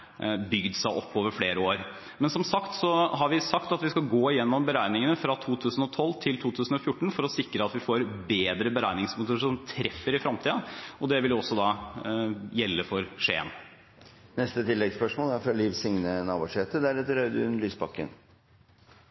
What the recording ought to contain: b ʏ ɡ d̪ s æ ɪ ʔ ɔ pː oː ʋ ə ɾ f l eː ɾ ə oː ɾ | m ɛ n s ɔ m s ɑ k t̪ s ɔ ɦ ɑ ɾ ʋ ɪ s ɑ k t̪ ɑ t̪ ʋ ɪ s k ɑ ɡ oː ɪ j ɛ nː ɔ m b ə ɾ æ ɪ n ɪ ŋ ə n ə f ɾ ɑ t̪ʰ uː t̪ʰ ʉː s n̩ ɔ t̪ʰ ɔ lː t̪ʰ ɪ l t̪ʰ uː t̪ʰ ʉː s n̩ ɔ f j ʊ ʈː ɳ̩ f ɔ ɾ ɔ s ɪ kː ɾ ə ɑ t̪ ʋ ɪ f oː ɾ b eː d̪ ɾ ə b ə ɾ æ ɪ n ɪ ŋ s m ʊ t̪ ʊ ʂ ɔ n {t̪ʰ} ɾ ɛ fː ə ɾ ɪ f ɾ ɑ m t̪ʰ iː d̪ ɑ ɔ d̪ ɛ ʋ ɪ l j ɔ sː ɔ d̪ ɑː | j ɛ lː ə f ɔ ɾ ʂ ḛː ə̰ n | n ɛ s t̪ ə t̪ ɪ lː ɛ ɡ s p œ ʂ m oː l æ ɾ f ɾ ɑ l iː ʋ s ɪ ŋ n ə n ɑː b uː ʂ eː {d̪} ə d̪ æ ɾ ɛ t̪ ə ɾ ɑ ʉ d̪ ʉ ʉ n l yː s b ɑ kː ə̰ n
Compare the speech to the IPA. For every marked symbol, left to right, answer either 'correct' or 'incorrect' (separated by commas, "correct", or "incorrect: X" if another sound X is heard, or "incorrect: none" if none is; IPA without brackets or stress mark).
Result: correct, incorrect: t̪